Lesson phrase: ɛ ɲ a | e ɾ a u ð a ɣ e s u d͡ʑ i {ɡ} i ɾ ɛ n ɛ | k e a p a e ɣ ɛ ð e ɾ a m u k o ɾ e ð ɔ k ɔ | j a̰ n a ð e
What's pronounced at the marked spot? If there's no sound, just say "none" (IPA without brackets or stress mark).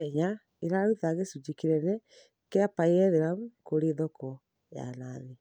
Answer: k